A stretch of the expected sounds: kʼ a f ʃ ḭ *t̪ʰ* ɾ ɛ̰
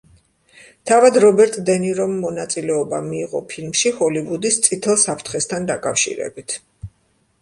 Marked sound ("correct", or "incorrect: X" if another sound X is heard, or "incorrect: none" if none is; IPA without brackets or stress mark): incorrect: none